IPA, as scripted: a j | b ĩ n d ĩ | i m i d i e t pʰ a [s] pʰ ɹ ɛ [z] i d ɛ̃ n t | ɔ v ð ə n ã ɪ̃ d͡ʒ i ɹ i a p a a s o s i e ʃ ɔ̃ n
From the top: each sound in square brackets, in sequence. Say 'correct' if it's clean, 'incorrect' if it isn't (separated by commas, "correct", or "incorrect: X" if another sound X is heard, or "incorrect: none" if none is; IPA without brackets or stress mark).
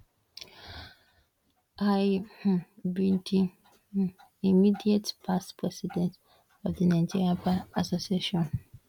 correct, incorrect: s